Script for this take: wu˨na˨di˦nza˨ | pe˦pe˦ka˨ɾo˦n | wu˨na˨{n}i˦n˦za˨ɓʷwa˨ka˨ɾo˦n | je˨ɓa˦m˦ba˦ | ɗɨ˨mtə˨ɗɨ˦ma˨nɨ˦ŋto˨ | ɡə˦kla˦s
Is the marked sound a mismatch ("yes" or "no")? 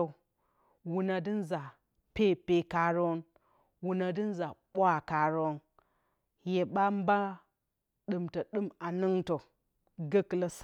yes